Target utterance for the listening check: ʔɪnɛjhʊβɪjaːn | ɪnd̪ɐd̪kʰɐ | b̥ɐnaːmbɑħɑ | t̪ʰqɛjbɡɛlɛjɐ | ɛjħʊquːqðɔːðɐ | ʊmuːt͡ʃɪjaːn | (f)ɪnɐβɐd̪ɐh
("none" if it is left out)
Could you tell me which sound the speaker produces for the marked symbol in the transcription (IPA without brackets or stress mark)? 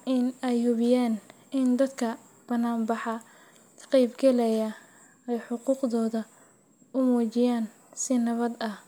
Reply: s